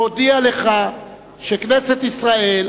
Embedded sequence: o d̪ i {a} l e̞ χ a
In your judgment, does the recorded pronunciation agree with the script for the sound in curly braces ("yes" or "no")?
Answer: yes